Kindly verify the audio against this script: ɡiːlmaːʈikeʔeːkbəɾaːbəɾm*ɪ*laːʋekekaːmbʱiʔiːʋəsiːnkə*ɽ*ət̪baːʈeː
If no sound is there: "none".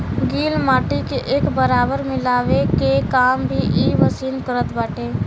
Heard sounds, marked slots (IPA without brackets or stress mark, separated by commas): ɪ, ɾ